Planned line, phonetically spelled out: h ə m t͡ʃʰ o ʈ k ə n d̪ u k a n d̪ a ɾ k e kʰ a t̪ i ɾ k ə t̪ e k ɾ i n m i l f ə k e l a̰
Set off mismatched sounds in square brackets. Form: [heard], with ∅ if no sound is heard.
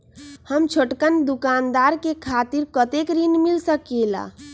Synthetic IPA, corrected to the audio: h ə m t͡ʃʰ o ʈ k ə n d̪ u k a n d̪ a ɾ k e kʰ a t̪ i ɾ k ə t̪ e k ɾ i n m i l [s] ə k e l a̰